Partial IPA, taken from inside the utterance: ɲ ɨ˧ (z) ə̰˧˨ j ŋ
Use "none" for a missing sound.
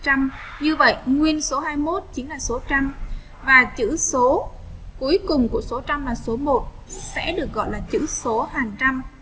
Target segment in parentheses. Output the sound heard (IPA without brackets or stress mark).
v